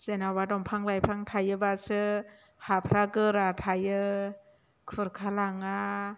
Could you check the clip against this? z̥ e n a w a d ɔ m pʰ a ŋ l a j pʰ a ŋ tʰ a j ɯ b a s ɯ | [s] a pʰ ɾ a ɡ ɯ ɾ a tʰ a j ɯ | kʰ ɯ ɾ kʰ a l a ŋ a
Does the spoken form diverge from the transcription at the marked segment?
yes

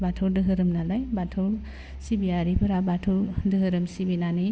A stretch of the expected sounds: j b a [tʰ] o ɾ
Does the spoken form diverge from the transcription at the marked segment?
no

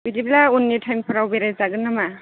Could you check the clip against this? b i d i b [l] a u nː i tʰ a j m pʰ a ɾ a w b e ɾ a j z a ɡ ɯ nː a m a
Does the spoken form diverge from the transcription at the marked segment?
no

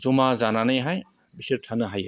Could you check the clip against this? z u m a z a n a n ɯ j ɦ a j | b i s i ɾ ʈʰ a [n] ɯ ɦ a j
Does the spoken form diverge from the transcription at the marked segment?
no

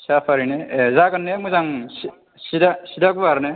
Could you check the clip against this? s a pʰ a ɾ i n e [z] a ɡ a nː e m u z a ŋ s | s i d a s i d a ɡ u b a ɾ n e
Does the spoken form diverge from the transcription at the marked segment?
no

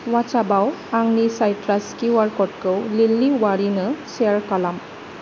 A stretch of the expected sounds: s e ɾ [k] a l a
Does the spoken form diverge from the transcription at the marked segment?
no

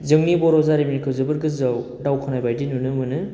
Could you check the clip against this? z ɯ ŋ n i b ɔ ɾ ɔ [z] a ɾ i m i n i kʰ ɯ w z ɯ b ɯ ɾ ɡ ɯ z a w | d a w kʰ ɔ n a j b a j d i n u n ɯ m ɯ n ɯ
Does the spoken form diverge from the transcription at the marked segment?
no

